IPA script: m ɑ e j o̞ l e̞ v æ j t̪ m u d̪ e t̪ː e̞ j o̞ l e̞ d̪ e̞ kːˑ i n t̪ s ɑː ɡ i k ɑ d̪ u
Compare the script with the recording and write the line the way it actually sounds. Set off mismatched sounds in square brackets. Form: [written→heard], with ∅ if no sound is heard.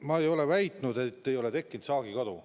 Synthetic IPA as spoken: m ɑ e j o̞ l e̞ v æ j t̪ [m→n] u d̪ e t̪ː e̞ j o̞ l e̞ [d̪→t̪] e̞ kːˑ i n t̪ s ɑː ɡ i k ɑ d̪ u